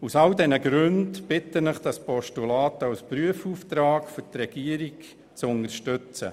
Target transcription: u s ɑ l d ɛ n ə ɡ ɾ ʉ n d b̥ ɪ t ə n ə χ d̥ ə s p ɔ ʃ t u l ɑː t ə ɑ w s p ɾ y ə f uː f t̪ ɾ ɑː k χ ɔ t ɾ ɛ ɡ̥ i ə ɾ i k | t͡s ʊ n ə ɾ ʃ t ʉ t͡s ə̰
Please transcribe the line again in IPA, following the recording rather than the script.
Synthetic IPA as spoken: u s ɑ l d ɛ n ə ɡ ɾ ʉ n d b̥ ɪ t ə n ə χ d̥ ɑ s p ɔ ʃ t u l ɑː t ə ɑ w s p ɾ y ə f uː f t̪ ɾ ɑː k f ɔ t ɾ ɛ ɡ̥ i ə ɾ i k | t͡s ʊ n ə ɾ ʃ t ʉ t͡s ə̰